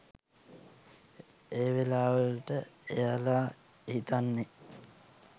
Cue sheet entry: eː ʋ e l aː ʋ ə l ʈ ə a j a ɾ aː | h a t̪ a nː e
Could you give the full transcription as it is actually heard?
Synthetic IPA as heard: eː ʋ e l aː ʋ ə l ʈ ə e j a l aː | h i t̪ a nː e